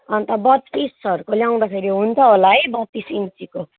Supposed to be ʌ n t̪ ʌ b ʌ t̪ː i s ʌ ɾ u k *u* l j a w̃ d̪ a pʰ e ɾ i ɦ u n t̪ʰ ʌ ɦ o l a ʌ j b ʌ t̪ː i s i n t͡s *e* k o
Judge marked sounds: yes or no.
no, no

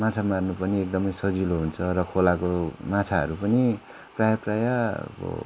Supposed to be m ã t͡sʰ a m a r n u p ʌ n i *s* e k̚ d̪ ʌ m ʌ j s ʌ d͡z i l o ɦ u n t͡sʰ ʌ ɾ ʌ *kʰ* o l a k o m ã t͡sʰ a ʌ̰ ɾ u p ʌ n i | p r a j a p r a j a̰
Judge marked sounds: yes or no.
no, yes

